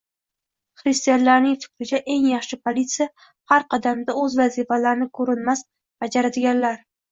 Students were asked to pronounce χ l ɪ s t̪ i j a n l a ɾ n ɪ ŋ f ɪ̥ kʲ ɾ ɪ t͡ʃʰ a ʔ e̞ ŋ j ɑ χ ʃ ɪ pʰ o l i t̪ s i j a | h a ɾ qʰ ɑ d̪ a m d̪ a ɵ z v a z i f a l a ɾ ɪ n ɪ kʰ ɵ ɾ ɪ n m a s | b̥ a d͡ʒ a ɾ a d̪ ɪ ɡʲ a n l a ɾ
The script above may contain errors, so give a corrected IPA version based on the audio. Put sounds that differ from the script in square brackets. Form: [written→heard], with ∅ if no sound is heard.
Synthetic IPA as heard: χ [l→ɾ] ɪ s t̪ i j a n l a ɾ n ɪ ŋ f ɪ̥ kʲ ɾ ɪ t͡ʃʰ a ʔ e̞ ŋ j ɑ χ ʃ ɪ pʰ o l i t̪ s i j a | h a ɾ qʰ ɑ d̪ a m d̪ a ɵ z v a z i f a l a ɾ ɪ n ɪ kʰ ɵ ɾ ɪ n m a s | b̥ a d͡ʒ a ɾ a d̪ ɪ ɡʲ a n l a ɾ